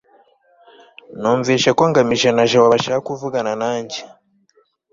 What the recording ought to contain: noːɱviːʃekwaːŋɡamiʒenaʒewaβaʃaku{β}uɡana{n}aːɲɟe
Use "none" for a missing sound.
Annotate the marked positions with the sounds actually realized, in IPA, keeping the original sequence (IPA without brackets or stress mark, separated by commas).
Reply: v, n